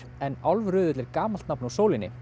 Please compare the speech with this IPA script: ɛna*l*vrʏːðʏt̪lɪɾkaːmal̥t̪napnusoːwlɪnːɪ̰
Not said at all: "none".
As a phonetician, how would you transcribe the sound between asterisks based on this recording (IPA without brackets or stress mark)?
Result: l